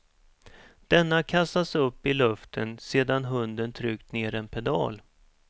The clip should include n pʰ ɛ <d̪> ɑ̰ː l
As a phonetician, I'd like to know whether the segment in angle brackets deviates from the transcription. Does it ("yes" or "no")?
no